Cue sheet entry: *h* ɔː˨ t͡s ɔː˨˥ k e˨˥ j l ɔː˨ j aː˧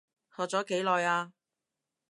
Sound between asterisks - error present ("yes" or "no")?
no